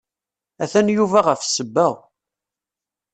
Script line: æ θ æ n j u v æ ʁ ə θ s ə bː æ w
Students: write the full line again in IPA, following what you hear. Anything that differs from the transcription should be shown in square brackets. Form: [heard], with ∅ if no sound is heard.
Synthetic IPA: æ θ æ n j u v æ ʁ ə [f] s ə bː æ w